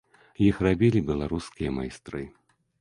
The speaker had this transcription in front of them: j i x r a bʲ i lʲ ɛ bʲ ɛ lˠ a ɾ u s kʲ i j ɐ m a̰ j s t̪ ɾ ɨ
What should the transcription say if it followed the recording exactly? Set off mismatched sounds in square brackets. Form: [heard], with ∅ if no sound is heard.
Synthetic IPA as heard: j i x r a bʲ i lʲ [i] bʲ ɛ lˠ a ɾ u s kʲ i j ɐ m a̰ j s t̪ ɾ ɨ